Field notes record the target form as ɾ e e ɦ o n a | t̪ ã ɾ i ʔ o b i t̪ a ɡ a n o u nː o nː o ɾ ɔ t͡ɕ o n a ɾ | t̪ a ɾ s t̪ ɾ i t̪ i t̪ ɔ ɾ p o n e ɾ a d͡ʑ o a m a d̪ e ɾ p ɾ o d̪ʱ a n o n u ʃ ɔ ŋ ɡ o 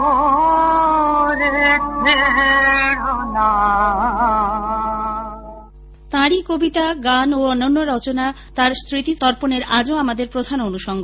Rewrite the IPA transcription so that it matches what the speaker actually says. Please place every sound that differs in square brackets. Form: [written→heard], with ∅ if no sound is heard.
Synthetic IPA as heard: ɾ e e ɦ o n a | t̪ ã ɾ i [ʔ→k] o b i t̪ a ɡ a n o [u→ɔ] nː o nː o ɾ ɔ t͡ɕ o n a [ɾ→∅] | t̪ a ɾ s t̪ ɾ i t̪ i t̪ ɔ ɾ p o n e ɾ a d͡ʑ o a m a d̪ e ɾ p ɾ o d̪ʱ a n o n u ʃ ɔ ŋ ɡ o